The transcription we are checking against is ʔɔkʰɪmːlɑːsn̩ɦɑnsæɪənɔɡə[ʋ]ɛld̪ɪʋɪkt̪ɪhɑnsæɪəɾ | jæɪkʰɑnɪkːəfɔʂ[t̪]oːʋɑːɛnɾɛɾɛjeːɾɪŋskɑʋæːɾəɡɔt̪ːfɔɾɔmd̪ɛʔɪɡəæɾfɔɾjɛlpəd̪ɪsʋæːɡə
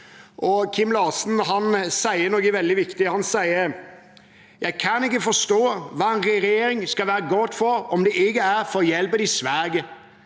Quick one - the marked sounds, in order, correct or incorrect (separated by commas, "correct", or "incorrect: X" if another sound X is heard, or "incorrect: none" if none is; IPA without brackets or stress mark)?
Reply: correct, correct